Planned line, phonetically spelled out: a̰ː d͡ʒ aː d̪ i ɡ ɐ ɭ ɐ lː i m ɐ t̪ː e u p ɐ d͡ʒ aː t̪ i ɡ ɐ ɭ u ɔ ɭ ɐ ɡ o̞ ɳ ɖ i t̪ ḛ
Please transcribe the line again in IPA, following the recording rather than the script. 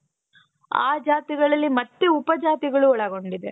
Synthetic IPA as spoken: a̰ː d͡ʒ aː t̪ i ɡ ɐ ɭ ɐ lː i m ɐ t̪ː e u p ɐ d͡ʒ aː t̪ i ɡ ɐ ɭ u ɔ ɭ ɐ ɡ o̞ ɳ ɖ i d̪ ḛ